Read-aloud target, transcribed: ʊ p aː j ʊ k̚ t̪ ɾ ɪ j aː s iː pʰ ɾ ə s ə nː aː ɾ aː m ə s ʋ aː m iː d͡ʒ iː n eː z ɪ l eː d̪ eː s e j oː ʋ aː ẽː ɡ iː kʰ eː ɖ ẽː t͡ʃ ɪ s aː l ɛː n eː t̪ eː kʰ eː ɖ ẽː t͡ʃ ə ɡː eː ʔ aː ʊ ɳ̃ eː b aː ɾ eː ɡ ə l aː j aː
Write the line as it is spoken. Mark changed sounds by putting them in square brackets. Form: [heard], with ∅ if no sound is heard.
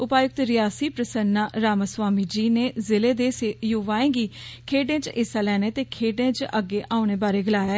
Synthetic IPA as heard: ʊ p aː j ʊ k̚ t̪ ɾ ɪ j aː s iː [p] ɾ ə s ə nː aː ɾ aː m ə s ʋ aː m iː d͡ʒ iː n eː z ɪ l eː d̪ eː s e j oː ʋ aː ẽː ɡ iː kʰ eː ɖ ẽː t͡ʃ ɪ s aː l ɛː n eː t̪ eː kʰ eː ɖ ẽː t͡ʃ ə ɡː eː ʔ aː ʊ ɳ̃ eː b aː ɾ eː ɡ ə l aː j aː